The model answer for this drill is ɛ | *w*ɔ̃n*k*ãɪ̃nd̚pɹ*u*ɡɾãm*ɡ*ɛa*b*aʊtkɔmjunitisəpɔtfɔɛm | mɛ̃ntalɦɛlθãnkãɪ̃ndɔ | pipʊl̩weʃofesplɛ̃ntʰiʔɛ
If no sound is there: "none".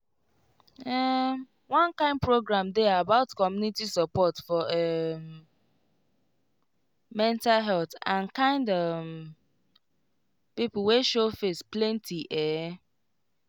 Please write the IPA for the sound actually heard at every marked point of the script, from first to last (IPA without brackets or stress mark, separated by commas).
w, k, o, d, b